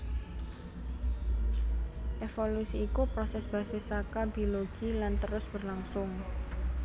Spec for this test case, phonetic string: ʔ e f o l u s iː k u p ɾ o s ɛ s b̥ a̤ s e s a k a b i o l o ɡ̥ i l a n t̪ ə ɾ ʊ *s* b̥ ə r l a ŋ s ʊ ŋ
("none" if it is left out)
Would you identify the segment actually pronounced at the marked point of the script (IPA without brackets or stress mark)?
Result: s